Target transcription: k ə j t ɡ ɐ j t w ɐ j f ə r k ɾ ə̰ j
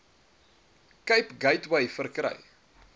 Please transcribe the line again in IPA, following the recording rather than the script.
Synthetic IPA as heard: k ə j p ɡ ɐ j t w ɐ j f ə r k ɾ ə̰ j